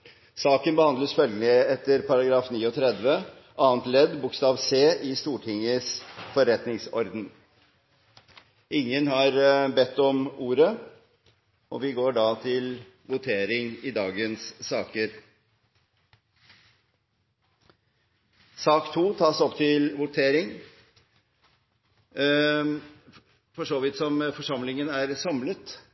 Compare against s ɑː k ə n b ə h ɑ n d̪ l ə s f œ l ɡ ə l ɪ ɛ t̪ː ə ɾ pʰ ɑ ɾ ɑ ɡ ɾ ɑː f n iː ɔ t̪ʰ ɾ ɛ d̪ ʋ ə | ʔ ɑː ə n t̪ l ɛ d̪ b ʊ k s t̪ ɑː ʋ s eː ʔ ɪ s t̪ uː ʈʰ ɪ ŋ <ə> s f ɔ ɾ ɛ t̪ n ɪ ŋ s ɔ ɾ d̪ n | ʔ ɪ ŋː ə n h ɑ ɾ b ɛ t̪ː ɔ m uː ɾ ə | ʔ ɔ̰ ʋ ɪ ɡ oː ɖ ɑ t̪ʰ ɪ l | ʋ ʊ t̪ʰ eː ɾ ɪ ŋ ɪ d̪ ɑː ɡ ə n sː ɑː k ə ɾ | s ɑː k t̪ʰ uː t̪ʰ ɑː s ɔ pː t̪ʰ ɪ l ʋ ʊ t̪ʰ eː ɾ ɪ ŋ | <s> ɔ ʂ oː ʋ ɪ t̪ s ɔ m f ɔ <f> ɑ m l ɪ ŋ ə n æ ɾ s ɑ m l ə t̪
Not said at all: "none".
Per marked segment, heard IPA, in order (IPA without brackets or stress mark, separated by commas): ə, f, ʂ